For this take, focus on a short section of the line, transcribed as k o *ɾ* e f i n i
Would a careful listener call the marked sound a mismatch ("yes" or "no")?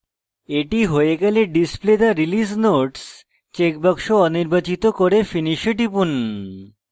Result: no